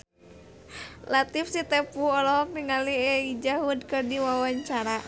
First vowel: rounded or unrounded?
unrounded